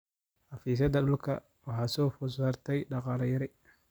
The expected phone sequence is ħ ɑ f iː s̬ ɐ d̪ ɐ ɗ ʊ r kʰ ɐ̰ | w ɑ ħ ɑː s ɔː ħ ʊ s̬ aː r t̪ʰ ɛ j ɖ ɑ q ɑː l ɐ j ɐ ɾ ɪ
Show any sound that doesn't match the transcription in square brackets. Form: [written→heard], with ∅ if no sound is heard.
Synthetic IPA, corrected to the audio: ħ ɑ f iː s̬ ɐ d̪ ɐ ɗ ʊ [r→l] kʰ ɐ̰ | w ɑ ħ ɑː s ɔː [ħ→f] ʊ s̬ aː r t̪ʰ ɛ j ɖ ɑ q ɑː l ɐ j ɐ ɾ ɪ